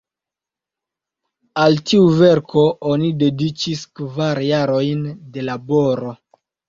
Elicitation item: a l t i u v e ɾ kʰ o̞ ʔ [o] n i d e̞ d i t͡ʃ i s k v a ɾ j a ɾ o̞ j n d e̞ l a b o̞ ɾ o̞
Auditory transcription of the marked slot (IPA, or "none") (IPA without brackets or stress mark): o